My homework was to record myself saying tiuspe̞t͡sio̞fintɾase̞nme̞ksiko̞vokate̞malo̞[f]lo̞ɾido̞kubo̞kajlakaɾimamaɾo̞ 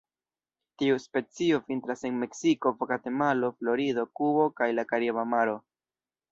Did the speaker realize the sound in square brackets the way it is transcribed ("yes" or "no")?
yes